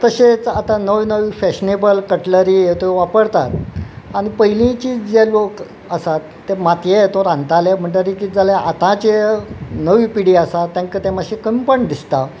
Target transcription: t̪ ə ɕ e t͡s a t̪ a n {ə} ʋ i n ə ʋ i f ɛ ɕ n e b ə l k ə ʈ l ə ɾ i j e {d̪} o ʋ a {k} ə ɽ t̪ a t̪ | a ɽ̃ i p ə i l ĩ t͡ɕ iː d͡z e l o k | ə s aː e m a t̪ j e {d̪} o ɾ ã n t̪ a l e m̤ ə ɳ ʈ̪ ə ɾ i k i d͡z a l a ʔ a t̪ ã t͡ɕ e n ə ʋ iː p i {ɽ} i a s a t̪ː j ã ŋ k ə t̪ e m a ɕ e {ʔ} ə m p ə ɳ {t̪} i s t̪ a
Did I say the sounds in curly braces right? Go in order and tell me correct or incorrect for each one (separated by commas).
correct, incorrect, incorrect, incorrect, correct, incorrect, incorrect